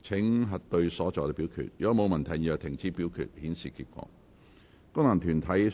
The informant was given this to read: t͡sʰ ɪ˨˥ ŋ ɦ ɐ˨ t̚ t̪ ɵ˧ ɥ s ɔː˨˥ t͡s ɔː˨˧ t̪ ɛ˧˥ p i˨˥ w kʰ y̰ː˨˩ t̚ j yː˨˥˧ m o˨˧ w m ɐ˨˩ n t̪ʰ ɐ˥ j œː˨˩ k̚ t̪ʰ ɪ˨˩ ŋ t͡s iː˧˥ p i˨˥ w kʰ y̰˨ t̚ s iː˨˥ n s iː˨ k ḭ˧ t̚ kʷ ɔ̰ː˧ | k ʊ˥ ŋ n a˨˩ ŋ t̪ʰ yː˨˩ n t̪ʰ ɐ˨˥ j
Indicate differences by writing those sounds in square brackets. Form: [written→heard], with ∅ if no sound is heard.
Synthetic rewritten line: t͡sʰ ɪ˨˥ ŋ ɦ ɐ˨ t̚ t̪ ɵ˧ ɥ s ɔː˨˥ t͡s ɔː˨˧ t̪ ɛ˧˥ p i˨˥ w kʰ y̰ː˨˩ t̚ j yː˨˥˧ m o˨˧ w m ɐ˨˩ n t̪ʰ [ɐ˥→ɐ˨˩] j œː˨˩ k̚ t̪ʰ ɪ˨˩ ŋ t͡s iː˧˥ p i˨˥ w kʰ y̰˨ t̚ [s→h] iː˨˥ n s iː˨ k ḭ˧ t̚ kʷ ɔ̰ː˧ | k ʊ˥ ŋ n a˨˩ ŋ t̪ʰ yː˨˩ n t̪ʰ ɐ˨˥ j